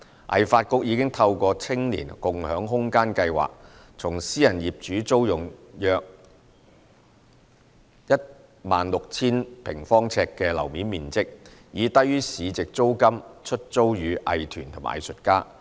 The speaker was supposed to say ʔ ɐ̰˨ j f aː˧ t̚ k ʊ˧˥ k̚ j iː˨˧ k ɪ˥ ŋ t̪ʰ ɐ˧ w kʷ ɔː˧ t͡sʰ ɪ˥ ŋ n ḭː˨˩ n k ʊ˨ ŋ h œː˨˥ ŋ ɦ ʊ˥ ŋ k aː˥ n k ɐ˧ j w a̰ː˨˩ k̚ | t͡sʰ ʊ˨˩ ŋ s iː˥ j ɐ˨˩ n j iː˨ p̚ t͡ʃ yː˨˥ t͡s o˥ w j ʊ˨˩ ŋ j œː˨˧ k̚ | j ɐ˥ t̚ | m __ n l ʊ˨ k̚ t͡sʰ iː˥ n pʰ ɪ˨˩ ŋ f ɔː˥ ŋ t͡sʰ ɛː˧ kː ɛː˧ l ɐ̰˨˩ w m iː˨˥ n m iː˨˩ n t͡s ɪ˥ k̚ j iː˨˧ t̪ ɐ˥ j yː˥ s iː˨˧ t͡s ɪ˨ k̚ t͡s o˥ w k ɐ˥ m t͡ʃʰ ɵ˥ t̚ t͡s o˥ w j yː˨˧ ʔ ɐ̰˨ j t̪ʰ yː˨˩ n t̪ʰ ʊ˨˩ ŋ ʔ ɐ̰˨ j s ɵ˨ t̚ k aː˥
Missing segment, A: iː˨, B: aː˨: B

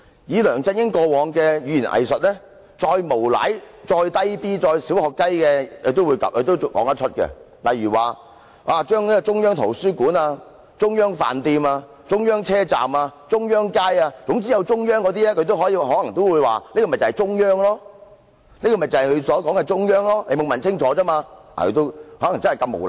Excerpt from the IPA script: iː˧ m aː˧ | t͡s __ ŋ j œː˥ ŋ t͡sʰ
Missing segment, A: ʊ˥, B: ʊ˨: A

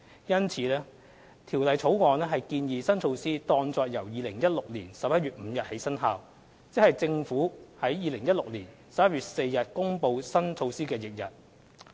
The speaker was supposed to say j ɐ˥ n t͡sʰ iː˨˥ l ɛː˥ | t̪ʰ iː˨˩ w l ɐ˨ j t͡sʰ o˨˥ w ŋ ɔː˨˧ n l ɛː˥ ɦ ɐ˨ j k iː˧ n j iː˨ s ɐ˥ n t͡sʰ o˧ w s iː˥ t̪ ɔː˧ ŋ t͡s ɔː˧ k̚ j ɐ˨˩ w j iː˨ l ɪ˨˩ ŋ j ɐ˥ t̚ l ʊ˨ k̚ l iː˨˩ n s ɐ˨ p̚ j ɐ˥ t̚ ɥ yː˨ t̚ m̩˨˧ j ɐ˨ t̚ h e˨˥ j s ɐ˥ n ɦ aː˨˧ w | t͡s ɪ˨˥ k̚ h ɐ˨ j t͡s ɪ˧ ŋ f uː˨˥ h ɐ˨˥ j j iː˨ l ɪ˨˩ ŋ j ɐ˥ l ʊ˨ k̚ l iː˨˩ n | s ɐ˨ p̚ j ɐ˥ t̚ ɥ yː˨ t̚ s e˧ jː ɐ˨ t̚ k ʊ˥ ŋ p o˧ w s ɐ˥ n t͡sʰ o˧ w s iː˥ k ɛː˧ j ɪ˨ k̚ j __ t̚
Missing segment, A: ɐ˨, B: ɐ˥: A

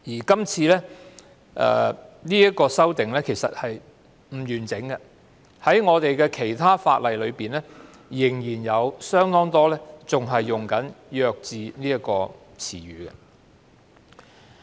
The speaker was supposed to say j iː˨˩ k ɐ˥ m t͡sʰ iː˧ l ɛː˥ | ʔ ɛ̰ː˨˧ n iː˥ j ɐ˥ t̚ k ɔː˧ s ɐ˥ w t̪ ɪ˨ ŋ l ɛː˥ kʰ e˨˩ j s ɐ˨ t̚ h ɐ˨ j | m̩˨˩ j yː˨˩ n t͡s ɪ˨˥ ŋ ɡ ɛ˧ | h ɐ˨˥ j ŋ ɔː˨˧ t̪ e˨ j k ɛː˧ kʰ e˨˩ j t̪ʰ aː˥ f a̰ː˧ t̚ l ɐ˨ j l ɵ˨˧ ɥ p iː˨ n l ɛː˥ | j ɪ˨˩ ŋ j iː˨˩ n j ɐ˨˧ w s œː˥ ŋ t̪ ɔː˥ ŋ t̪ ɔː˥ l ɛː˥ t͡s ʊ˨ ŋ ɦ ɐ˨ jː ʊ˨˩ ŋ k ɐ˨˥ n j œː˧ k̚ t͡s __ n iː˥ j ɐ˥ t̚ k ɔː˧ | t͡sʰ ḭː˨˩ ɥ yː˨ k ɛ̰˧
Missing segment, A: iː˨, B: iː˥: A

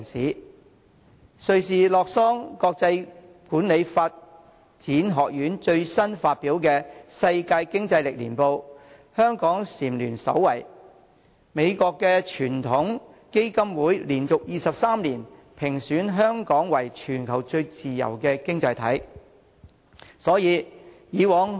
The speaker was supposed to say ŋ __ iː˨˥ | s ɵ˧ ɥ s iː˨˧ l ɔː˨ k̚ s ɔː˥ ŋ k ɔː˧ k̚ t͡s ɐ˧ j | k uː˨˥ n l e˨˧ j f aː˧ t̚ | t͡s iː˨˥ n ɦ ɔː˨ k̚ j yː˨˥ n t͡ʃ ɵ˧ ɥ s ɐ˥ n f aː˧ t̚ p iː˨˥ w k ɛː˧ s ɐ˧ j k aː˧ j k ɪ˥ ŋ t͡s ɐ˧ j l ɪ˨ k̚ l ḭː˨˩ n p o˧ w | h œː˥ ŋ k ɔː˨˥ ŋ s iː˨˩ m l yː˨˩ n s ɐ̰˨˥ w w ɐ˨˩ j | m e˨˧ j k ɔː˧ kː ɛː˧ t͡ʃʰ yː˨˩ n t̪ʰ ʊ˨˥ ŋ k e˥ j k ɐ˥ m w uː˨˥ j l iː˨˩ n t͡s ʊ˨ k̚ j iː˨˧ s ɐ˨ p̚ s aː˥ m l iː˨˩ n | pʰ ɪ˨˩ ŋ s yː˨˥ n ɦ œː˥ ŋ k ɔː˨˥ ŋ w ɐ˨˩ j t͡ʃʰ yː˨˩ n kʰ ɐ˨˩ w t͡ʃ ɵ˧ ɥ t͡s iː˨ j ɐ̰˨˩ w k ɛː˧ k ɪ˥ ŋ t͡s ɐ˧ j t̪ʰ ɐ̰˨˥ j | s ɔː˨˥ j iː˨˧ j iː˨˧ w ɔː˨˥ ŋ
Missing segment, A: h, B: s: B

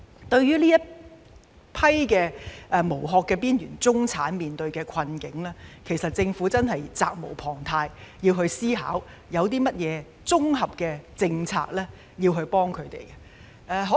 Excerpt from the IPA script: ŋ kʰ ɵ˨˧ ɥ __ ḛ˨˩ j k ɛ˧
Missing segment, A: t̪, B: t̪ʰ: A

